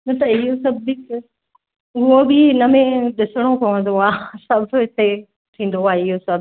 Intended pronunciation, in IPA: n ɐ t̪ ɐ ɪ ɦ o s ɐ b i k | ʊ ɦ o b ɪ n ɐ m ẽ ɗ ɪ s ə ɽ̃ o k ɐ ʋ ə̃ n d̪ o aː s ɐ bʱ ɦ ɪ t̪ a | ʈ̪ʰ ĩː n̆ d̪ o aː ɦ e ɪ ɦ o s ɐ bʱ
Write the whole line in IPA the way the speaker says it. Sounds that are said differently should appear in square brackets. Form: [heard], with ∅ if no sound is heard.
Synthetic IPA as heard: n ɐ t̪ ɐ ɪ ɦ o s ɐ b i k | ʊ ɦ o b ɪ n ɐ m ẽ ɗ ɪ s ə ɽ̃ o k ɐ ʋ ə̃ n d̪ o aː s ɐ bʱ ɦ ɪ t̪ [e] | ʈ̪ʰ ĩː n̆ d̪ o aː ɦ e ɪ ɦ o s ɐ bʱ